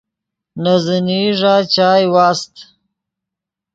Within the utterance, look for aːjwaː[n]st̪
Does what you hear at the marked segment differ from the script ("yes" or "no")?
yes